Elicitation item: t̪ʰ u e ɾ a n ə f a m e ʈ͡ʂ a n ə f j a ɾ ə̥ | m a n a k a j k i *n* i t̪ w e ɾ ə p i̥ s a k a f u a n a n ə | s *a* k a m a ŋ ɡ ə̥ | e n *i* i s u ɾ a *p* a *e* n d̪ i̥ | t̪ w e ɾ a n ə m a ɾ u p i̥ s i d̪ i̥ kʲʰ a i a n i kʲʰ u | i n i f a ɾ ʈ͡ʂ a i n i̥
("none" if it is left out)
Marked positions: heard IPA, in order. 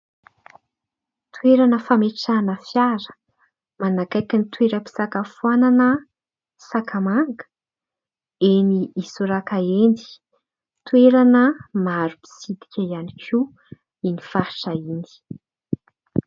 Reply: n, a, i, k, e

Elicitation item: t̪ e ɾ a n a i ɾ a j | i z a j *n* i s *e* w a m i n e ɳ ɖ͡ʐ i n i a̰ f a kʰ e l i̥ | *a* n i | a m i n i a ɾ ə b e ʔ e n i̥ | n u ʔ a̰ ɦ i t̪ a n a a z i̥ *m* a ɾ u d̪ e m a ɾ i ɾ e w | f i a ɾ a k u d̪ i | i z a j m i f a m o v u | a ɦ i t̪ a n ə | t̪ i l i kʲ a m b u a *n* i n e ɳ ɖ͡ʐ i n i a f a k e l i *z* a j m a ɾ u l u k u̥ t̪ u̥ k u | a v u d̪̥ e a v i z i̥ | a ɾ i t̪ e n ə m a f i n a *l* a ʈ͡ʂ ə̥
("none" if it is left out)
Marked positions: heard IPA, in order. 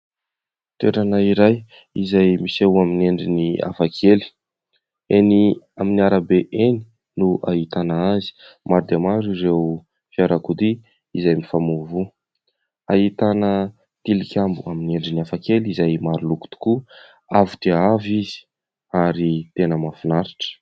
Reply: m, e, e, m, m, z, ɾ

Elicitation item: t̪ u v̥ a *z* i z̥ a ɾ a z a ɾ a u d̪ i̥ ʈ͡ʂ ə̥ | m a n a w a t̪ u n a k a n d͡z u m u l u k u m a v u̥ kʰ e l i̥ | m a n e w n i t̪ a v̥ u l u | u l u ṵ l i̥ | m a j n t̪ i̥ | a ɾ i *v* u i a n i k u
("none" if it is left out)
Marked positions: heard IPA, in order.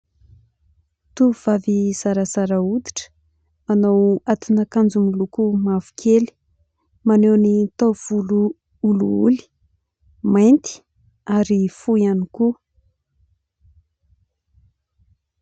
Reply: v, f

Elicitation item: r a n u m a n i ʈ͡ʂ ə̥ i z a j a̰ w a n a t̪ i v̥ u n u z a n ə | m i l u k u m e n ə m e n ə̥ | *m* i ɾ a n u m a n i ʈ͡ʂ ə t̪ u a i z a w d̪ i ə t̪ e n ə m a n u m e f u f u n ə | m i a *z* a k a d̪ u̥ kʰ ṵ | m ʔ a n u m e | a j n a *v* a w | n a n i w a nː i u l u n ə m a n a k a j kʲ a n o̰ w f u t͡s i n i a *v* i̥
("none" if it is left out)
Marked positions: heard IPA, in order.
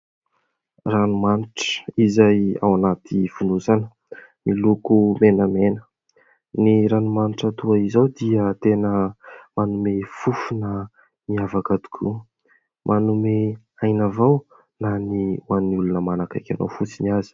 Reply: n, v, v, z

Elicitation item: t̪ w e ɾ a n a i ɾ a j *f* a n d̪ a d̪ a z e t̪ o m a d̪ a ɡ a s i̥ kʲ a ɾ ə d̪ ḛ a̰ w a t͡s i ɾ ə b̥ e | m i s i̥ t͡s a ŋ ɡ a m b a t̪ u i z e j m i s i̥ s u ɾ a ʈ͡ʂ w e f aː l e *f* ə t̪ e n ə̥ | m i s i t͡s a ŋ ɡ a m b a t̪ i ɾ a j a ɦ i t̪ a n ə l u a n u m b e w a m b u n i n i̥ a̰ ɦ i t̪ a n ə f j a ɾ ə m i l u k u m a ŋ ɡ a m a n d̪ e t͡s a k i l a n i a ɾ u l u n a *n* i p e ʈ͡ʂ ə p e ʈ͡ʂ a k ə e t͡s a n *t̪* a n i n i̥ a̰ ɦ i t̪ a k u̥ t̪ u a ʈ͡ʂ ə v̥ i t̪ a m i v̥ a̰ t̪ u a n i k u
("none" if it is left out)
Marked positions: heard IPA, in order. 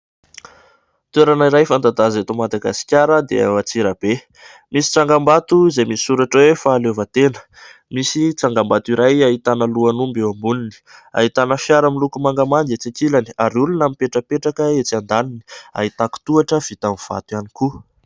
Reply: f, v, m, d̪

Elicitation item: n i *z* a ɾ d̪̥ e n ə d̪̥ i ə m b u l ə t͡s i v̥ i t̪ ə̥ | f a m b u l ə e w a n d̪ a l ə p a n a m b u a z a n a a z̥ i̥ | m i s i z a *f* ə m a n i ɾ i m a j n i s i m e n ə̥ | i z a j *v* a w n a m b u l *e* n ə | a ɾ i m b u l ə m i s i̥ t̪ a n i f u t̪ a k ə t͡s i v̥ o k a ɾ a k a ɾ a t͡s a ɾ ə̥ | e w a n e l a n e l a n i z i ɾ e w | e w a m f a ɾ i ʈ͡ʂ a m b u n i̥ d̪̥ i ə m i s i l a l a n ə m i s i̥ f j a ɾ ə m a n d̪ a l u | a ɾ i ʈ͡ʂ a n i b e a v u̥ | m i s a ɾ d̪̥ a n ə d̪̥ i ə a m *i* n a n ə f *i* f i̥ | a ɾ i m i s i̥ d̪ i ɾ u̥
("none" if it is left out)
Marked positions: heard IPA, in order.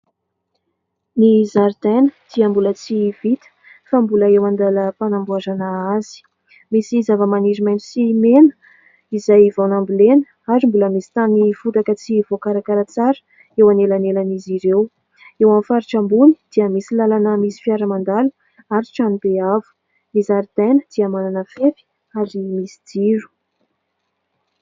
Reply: z, v, v, e, a, e

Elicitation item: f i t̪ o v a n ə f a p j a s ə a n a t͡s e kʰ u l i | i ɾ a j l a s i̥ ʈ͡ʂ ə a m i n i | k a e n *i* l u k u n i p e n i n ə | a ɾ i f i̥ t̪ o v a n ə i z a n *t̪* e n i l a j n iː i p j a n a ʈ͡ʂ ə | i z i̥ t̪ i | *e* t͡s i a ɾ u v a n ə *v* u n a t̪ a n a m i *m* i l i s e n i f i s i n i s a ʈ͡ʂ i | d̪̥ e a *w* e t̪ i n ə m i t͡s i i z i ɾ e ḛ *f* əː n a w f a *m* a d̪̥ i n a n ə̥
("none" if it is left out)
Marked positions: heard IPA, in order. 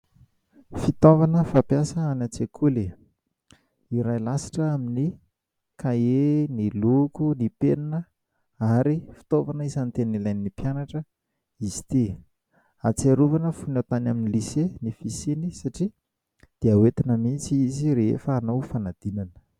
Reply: i, t̪, a, f, n, w, f, n

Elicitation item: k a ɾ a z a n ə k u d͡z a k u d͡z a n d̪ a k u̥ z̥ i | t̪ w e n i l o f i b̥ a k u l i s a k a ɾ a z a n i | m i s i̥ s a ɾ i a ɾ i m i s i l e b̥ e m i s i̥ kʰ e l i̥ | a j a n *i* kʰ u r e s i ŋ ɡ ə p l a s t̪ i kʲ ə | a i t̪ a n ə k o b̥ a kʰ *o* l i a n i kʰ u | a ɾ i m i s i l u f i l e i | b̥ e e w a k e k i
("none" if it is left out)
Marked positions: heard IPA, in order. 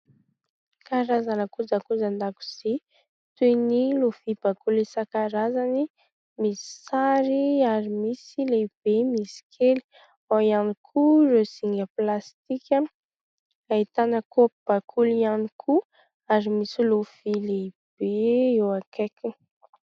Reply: i, u

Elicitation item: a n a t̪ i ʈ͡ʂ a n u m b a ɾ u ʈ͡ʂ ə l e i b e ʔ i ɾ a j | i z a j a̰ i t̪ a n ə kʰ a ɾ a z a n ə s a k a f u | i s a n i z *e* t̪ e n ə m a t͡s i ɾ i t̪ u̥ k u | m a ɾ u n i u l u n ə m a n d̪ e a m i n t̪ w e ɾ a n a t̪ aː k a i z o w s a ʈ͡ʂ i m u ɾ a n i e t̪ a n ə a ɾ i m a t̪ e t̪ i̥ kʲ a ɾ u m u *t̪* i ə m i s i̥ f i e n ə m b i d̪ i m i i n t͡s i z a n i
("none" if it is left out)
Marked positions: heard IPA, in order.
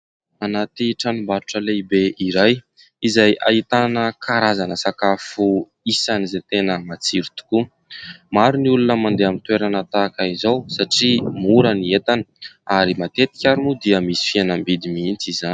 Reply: e, d̪

